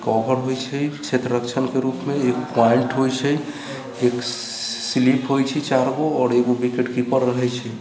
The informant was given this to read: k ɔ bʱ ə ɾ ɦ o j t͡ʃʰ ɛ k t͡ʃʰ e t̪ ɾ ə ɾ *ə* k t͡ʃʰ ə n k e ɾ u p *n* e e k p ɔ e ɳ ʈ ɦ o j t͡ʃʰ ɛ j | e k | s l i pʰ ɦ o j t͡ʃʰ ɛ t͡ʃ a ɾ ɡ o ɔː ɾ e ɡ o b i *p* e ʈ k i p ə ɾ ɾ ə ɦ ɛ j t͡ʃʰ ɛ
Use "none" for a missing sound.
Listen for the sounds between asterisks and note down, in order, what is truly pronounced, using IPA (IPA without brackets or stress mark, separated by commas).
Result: ə, m, k